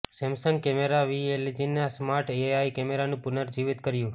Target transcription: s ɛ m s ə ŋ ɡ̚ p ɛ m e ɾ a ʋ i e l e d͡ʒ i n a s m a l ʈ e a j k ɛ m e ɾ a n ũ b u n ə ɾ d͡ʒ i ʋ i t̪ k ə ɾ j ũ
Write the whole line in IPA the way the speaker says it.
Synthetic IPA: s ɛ m s ə ŋ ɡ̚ k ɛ m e ɾ a ʋ i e l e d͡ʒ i n a s m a ɾ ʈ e a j k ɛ m e ɾ a n ũ p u n ə ɾ d͡ʒ i ʋ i t̪ k ə ɾ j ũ